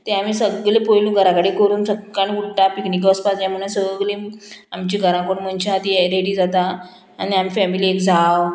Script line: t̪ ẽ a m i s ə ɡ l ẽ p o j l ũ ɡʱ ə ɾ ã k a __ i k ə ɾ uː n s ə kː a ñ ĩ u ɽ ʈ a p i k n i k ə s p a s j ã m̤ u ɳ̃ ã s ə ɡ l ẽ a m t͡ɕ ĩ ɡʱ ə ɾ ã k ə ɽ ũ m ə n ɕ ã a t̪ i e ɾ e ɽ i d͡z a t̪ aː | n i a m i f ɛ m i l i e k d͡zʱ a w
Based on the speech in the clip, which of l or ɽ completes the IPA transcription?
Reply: ɽ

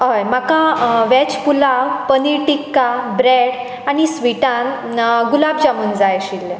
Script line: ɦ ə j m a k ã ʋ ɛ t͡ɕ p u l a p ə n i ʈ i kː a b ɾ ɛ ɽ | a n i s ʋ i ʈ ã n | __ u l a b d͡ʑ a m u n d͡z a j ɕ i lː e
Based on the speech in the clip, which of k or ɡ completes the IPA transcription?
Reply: ɡ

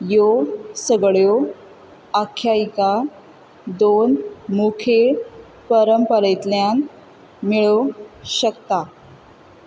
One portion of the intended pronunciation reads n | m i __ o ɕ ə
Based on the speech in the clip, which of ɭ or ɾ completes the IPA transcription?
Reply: ɭ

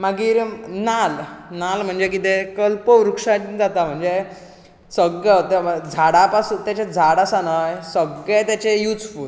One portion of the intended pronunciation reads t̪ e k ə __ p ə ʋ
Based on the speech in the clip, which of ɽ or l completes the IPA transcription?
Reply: l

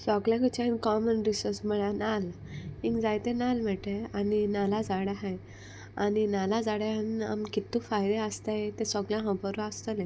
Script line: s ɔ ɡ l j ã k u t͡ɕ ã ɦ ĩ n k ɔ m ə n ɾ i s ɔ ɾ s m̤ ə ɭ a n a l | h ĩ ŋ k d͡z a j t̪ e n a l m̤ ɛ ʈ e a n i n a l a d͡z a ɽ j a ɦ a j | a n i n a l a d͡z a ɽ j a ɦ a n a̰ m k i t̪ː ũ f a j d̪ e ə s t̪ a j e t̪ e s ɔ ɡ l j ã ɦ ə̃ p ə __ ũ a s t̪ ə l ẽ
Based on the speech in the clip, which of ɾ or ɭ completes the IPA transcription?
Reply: ɾ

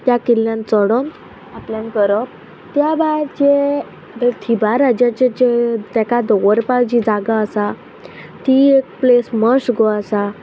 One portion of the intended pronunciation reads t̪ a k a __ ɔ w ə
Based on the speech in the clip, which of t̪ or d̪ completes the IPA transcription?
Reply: d̪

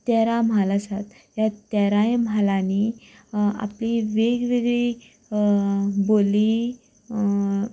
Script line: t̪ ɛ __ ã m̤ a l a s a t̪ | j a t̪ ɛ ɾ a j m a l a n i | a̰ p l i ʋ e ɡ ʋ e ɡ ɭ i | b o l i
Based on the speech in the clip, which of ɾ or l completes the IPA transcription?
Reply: ɾ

